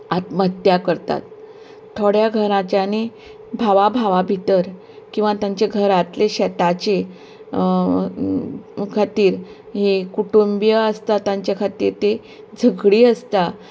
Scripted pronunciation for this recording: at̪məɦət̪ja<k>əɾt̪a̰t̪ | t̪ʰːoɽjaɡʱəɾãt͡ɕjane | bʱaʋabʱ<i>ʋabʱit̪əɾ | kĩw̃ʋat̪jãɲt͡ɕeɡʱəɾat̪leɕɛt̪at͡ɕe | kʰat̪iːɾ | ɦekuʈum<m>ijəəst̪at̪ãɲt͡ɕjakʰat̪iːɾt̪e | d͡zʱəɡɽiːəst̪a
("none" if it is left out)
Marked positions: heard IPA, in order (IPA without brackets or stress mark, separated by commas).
k, a, b